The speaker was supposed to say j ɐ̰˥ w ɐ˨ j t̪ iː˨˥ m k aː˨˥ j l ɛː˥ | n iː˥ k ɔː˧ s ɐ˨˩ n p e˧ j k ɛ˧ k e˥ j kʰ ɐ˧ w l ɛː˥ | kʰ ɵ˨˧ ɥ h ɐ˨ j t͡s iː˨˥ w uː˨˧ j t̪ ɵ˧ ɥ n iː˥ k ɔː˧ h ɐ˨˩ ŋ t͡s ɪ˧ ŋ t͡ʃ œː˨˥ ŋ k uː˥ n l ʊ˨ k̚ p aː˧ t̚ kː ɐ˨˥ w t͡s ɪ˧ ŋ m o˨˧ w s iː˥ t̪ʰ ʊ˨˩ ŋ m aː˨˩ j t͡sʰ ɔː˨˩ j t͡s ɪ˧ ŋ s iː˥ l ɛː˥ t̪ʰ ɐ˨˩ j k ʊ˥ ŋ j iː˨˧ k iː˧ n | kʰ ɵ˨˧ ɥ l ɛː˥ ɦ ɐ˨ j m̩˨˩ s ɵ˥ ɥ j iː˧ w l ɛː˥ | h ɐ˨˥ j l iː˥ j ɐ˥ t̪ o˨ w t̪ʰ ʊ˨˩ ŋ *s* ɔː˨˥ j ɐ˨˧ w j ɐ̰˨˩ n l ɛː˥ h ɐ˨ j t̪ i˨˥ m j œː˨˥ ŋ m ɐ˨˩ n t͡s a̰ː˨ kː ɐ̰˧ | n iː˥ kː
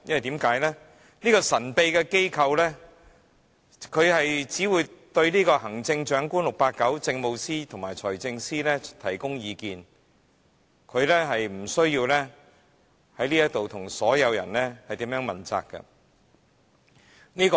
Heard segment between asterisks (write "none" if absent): s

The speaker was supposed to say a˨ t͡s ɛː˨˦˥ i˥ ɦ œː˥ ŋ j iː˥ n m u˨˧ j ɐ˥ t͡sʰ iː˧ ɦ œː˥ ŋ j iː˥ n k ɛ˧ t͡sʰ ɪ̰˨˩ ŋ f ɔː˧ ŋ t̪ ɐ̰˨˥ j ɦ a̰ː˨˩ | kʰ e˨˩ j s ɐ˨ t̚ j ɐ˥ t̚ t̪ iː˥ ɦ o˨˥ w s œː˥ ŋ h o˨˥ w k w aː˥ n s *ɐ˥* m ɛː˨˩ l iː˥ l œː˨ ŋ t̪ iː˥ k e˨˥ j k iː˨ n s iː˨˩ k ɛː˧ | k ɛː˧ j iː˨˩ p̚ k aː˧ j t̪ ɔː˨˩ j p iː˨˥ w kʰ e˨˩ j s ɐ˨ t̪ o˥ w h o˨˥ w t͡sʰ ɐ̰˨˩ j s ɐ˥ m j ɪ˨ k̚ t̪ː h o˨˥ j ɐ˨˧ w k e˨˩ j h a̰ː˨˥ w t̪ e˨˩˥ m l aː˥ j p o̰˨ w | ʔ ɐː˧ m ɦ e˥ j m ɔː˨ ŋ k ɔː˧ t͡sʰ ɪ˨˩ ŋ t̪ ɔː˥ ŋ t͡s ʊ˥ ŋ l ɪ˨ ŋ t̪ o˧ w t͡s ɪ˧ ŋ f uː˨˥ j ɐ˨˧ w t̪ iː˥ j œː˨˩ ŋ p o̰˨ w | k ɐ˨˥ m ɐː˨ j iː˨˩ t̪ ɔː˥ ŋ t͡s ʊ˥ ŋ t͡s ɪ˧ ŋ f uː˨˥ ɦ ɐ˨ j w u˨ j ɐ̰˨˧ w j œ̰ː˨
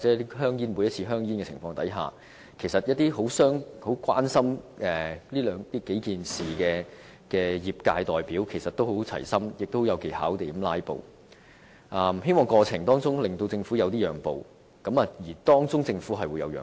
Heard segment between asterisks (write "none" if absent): ɐ˥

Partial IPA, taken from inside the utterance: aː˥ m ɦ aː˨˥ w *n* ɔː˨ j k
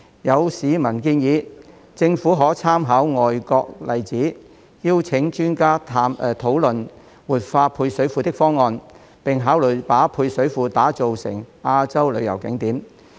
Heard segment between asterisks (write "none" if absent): ŋ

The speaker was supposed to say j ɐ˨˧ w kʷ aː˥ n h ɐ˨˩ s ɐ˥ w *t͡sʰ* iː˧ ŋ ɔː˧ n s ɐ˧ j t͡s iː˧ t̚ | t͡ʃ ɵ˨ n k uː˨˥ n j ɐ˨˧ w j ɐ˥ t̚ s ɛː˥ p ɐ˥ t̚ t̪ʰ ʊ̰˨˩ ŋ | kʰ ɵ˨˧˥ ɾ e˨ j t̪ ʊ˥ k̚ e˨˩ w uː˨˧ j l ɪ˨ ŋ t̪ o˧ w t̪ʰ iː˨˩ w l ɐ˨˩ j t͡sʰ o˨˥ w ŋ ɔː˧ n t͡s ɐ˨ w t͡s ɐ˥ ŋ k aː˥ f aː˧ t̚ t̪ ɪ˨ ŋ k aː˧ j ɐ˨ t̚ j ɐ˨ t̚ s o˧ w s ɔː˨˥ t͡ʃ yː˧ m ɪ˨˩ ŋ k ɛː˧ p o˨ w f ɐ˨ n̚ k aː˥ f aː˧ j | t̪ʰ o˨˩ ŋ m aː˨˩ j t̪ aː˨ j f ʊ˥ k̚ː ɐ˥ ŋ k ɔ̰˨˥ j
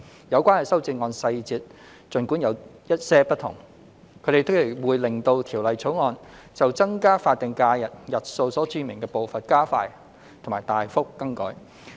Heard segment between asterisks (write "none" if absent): t͡s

